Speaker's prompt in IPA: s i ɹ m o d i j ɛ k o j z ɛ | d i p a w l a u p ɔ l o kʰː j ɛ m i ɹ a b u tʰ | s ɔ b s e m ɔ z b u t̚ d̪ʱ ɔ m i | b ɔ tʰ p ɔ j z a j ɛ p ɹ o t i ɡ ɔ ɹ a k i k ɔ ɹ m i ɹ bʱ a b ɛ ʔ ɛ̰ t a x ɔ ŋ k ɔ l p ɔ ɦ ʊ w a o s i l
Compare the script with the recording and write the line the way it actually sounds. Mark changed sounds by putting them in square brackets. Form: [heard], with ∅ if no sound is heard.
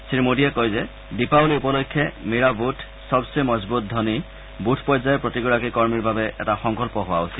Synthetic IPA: s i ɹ m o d i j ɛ k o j z ɛ | d i p a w l [i] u p ɔ l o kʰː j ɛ m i ɹ a b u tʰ | s ɔ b s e m ɔ z b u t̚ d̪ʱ ɔ [n] i | b [u] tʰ p ɔ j z a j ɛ p ɹ o t i ɡ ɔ ɹ a k i k ɔ ɹ m i ɹ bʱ a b ɛ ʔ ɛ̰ t a x ɔ ŋ k ɔ l p ɔ ɦ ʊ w a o s i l